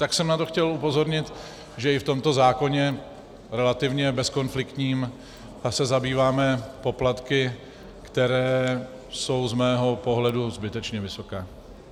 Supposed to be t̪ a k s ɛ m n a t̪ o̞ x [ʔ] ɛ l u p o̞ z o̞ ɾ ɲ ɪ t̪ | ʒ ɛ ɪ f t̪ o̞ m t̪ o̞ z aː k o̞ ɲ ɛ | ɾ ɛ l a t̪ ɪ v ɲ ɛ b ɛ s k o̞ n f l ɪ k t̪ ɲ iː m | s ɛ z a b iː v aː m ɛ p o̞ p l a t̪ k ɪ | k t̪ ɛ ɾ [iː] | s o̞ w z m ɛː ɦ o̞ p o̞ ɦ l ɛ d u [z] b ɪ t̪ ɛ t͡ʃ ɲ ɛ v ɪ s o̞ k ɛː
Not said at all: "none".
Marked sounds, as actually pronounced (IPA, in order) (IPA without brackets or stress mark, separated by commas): c, ɛː, z